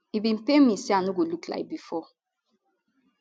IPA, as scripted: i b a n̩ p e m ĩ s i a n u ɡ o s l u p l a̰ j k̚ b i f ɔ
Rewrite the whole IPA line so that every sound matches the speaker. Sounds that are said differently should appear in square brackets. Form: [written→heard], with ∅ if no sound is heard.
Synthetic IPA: i b [a→i] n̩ p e m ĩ s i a n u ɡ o [s→∅] l u [p→k] l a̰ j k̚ b i f ɔ